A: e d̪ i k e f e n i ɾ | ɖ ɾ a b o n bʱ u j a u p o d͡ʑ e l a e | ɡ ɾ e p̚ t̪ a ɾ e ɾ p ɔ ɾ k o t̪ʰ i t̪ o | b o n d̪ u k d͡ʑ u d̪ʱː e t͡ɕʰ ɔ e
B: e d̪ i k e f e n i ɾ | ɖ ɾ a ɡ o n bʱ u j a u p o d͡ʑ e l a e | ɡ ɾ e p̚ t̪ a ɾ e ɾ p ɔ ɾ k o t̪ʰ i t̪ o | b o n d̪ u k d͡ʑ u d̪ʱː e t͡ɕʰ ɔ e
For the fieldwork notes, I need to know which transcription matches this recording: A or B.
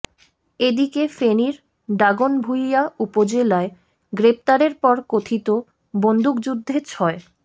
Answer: B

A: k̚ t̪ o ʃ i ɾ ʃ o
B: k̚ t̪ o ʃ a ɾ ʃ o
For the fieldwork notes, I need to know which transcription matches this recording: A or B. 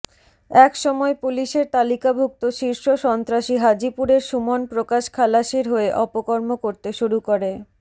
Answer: A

